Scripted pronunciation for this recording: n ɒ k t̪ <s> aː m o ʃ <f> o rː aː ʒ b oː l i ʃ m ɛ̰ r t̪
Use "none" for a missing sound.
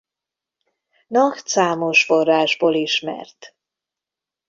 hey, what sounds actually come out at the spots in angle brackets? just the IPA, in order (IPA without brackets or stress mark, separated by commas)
s, f